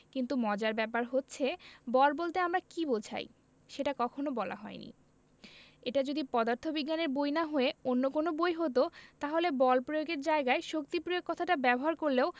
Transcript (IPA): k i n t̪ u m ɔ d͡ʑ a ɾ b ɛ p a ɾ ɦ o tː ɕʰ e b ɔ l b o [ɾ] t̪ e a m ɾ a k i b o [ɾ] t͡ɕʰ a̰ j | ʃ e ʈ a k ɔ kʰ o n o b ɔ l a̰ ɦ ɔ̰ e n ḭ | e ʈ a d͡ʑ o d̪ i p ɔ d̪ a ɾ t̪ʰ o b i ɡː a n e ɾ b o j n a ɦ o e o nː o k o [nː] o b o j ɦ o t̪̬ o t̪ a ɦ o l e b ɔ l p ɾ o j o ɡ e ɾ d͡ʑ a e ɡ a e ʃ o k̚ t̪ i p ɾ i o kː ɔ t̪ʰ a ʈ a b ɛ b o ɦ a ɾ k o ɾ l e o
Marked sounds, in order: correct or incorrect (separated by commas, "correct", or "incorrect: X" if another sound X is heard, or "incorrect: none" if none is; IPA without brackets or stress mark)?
incorrect: l, incorrect: l, incorrect: n